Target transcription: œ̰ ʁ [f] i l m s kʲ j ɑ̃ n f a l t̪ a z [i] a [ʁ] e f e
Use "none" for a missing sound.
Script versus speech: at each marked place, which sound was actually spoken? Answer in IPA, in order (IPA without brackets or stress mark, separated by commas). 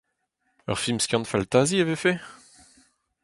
f, i, v